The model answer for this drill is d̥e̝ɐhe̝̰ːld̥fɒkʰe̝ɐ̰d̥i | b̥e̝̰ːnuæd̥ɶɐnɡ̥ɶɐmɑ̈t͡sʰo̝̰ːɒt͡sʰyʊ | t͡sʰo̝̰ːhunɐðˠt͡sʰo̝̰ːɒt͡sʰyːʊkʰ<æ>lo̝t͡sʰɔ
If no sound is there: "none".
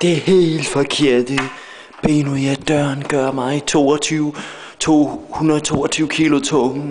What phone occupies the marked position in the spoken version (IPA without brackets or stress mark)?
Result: i